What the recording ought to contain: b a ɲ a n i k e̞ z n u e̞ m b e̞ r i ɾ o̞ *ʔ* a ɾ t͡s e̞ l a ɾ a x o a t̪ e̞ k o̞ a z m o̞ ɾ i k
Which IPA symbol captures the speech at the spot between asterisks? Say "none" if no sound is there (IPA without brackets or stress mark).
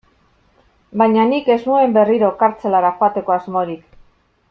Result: k